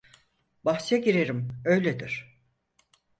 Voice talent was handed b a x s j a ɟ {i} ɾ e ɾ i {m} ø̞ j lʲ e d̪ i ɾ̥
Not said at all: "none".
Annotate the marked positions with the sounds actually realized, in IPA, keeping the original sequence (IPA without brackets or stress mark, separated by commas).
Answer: i, m